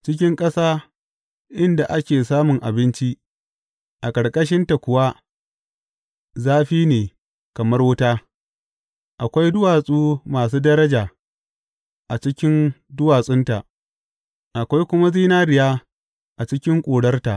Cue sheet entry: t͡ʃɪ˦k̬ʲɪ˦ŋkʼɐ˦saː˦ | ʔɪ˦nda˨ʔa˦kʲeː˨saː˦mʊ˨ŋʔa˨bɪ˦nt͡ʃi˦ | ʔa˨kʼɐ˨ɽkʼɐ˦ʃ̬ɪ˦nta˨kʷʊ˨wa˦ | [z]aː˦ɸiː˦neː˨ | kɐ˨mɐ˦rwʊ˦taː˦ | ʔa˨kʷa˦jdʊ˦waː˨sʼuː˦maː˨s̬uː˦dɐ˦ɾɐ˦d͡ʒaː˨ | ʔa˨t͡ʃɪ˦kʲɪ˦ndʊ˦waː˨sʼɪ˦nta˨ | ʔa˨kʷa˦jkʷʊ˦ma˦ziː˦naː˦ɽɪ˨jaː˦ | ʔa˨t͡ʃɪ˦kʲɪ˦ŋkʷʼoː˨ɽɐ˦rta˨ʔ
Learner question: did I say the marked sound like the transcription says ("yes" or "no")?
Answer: yes